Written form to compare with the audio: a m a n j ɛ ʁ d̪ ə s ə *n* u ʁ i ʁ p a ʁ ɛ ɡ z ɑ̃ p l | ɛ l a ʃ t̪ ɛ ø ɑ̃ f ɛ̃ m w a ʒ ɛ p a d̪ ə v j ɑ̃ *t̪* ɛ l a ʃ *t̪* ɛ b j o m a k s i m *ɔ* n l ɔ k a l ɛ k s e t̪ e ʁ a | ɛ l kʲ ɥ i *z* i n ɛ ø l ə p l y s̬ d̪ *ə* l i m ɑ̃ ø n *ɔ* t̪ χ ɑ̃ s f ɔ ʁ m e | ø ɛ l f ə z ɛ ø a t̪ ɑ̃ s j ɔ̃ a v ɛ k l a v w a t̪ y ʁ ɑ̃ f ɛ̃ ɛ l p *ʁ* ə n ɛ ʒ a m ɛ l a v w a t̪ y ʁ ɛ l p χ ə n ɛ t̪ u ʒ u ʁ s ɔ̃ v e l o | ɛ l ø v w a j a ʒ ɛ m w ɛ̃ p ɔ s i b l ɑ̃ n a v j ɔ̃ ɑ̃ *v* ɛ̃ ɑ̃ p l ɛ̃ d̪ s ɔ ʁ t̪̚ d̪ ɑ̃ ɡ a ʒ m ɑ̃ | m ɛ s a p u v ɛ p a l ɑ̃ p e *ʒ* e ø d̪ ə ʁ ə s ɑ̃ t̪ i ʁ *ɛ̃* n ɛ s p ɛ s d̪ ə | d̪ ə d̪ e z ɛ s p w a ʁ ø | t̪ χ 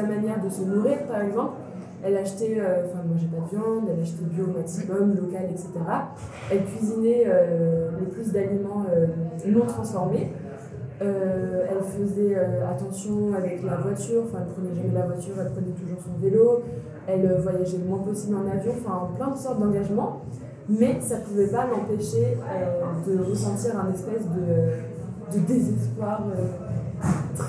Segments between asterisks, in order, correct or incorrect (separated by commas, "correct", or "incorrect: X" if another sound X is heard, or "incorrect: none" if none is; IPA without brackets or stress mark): correct, incorrect: d̪, correct, correct, correct, incorrect: a, incorrect: ɔ̃, incorrect: χ, incorrect: f, incorrect: ʃ, correct